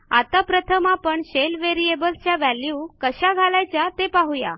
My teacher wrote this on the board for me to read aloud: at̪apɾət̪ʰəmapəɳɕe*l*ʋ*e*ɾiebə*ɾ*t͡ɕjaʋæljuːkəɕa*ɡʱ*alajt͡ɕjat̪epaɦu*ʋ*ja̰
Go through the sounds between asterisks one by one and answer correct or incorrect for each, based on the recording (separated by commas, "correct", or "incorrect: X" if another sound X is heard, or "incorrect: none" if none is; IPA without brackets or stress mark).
correct, correct, incorrect: l, correct, incorrect: none